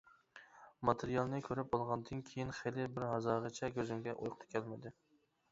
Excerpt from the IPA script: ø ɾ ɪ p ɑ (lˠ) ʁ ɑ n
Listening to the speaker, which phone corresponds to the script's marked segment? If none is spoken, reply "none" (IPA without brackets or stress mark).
lˠ